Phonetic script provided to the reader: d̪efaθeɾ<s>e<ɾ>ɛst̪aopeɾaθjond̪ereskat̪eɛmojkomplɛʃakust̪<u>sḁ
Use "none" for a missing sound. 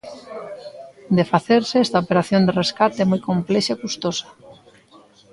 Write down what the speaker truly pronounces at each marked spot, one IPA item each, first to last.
s, none, o

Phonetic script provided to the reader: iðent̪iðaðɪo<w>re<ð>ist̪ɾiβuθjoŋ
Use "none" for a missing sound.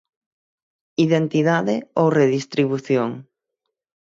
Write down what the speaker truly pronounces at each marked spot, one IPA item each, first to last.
w, ð

